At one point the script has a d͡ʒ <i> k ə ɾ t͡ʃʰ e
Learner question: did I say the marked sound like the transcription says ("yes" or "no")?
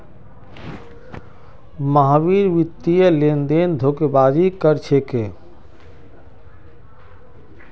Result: yes